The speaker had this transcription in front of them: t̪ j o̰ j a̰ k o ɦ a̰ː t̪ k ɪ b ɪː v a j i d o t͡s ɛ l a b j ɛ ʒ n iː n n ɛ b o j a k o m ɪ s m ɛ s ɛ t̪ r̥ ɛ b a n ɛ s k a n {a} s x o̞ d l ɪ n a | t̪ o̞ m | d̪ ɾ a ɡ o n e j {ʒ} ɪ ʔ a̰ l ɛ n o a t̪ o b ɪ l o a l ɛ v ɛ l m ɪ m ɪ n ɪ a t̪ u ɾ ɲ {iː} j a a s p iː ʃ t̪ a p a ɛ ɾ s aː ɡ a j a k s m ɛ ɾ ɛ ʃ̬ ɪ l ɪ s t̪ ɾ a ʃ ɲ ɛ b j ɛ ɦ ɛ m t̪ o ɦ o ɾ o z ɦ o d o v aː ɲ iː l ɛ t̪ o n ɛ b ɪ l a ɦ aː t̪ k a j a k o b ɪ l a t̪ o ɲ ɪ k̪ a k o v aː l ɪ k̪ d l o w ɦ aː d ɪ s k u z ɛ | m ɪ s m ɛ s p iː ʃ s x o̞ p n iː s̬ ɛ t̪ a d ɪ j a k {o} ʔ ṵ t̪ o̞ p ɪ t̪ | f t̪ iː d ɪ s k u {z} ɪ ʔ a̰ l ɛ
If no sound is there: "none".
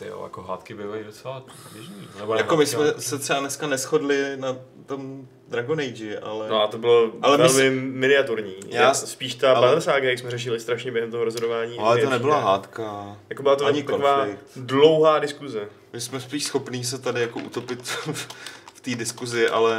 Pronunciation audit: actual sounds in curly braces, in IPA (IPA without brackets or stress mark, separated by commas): ɛ, d͡ʒ, iː, o, z